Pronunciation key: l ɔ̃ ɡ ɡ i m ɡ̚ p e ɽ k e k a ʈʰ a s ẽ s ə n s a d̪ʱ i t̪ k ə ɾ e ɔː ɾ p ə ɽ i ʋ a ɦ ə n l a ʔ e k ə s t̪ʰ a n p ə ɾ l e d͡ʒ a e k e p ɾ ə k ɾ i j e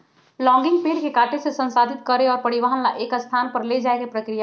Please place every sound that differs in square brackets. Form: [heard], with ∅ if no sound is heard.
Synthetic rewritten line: l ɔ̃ [ŋ] ɡ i [ŋ] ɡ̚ p e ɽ k e k a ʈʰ [e] s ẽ s ə n s a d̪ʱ i t̪ k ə ɾ e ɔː ɾ p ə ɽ i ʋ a ɦ ə n l a ʔ e k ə s t̪ʰ a n p ə ɾ l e d͡ʒ a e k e p ɾ ə k ɾ i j [a]